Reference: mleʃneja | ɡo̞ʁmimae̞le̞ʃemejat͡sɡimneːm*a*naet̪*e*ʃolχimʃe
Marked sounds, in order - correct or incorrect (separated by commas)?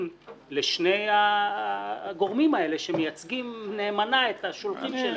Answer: correct, incorrect